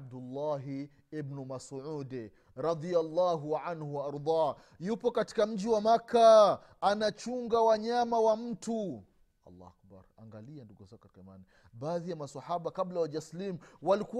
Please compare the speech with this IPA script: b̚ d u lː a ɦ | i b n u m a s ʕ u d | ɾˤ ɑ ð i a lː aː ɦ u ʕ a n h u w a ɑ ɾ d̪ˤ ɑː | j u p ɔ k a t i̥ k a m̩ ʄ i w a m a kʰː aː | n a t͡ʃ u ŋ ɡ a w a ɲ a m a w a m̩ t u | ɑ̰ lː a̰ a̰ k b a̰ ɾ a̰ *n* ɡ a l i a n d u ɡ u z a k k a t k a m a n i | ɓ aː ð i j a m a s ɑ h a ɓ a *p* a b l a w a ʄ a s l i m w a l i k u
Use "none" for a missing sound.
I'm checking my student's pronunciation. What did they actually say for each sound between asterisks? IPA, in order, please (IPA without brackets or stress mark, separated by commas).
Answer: ŋ, k